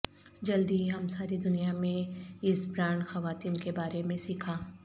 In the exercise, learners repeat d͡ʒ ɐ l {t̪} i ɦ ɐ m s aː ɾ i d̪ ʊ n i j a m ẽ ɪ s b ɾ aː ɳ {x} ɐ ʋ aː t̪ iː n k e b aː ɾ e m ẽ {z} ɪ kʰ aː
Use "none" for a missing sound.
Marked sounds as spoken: d̪, x, s

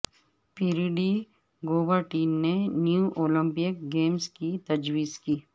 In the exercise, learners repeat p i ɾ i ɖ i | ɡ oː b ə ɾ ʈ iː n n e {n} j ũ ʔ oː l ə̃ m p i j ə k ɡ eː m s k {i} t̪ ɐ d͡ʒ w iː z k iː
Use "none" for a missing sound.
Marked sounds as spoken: n, i

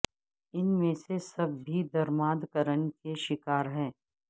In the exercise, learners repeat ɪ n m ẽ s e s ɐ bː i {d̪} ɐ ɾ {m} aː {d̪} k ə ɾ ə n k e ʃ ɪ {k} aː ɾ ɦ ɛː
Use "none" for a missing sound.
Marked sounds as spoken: d̪, m, d̪, k

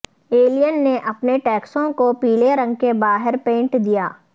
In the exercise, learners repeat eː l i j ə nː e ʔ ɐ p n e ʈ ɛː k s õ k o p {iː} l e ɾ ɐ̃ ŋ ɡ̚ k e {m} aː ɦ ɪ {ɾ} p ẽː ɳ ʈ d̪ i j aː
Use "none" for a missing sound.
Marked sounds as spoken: iː, b, ɾ

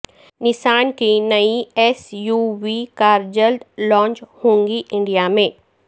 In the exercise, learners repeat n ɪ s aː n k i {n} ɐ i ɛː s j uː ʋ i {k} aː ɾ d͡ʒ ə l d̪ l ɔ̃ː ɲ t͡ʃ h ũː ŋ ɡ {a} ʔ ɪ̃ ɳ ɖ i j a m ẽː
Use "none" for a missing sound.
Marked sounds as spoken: n, k, i

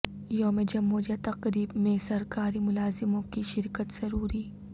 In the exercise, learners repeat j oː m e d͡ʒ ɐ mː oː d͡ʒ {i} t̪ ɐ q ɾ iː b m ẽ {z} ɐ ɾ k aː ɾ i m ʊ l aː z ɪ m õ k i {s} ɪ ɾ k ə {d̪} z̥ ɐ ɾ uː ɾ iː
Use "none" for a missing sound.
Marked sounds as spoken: a, s, ʃ, t̪

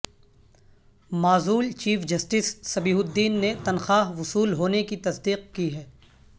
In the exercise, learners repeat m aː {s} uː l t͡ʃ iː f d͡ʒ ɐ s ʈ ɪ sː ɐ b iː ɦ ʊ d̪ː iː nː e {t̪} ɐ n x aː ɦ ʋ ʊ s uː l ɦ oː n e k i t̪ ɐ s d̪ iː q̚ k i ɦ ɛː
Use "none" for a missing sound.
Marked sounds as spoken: z, t̪

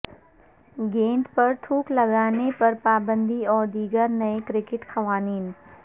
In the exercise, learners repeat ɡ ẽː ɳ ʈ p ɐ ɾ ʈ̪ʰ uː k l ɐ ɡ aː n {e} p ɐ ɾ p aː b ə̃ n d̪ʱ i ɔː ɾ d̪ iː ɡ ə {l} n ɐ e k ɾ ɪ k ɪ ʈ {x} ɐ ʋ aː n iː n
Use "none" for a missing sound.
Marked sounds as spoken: e, ɾ, x

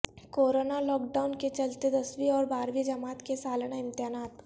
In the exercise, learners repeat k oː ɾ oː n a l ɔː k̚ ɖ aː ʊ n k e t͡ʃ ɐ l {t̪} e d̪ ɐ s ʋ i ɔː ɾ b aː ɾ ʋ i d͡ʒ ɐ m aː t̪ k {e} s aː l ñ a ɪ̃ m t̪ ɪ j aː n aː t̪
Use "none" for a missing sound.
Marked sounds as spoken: t̪, e

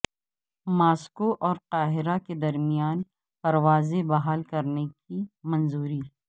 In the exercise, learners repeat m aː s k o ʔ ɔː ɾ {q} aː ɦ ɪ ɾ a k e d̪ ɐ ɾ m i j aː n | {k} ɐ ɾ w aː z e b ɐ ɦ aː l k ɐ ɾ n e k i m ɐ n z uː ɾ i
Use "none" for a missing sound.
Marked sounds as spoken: q, p

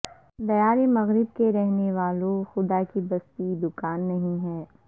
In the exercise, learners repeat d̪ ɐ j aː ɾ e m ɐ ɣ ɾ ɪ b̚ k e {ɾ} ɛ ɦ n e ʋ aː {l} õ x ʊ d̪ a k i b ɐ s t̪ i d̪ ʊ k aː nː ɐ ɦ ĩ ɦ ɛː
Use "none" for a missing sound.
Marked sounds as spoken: ɾ, l

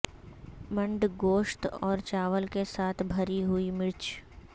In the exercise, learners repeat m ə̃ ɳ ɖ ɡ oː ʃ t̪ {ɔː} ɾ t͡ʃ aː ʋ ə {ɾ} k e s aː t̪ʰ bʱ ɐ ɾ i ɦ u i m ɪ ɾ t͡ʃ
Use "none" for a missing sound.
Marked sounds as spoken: ɔː, l

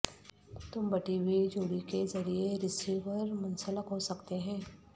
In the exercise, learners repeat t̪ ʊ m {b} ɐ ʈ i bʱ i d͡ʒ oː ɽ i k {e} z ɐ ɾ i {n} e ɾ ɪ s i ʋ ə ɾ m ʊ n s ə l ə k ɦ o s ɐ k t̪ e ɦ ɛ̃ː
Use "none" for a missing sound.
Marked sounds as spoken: b, e, none

